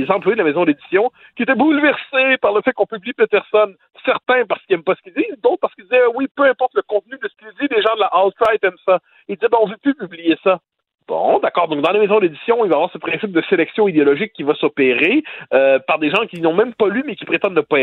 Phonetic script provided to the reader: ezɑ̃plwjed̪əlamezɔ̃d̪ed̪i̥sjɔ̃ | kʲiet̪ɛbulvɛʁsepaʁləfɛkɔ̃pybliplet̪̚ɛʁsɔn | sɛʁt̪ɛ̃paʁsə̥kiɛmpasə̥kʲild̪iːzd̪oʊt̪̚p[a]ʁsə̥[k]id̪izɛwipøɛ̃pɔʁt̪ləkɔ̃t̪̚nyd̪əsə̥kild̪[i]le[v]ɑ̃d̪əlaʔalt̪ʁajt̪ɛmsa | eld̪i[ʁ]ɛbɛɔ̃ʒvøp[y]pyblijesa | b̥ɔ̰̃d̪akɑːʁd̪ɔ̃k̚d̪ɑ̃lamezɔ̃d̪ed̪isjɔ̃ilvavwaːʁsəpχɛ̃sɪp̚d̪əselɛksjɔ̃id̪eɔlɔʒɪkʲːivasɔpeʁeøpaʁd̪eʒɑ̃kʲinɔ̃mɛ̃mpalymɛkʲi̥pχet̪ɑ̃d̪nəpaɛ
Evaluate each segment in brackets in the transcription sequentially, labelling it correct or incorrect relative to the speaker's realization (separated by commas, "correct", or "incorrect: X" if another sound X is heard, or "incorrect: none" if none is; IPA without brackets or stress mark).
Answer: correct, correct, correct, incorrect: ʒ, incorrect: z, correct